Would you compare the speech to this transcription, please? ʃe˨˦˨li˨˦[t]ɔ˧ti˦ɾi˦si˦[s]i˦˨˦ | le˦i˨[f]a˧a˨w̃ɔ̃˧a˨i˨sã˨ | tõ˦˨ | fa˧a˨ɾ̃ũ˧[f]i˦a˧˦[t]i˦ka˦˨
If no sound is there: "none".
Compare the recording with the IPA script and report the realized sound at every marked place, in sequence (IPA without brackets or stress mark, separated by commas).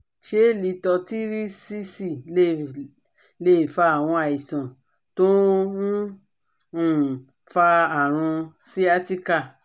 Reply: t, s, f, s, t